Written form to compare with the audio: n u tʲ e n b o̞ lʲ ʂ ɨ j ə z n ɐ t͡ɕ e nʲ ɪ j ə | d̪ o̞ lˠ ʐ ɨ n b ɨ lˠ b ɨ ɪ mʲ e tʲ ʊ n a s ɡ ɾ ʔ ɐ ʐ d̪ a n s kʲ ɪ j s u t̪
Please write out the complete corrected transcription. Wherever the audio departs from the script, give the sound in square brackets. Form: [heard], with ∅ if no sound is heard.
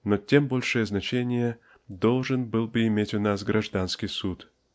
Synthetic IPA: n [o] tʲ e [m] b o̞ lʲ ʂ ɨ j ə z n ɐ t͡ɕ e nʲ ɪ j ə | d̪ o̞ lˠ ʐ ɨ n b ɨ lˠ b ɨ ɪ mʲ e tʲ ʊ n a s ɡ ɾ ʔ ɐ ʐ d̪ a n s kʲ ɪ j s u t̪